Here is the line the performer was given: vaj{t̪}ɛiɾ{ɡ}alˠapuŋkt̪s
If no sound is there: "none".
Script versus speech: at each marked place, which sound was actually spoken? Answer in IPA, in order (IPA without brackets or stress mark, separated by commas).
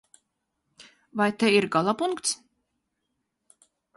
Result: t̪, ɡ